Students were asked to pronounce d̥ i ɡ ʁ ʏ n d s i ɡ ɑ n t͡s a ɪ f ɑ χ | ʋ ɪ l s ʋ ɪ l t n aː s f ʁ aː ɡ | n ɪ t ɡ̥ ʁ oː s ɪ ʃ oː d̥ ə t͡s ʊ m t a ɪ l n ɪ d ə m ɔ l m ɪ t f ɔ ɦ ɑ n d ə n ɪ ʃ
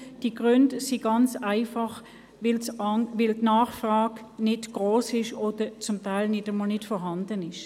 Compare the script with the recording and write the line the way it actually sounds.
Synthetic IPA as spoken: d̥ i ɡ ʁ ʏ n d s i ɡ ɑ n t͡s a ɪ f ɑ χ | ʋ ɪ l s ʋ ɪ l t n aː χ f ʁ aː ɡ | n ɪ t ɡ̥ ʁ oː s ɪ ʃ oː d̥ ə t͡s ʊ m t a ɪ l n ɪ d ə m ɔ l n ɪ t f ɔ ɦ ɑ n d ə n ɪ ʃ